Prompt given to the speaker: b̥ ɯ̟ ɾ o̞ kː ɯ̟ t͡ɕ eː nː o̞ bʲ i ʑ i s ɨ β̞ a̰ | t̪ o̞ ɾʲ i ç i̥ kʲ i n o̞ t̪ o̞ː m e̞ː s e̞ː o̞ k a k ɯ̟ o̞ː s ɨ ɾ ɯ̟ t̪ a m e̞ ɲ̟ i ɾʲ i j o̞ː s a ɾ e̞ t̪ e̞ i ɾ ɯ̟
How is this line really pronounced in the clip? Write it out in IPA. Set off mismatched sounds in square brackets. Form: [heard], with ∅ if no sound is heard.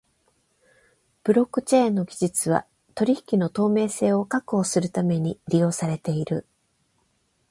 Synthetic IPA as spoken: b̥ ɯ̟ ɾ o̞ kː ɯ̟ t͡ɕ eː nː o̞ [ɡʲ] i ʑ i [t͡s] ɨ β̞ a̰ | t̪ o̞ ɾʲ i ç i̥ kʲ i n o̞ t̪ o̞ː m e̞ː s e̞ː o̞ k a k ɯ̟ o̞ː s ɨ ɾ ɯ̟ t̪ a m e̞ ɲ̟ i ɾʲ i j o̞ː s a ɾ e̞ t̪ e̞ i ɾ ɯ̟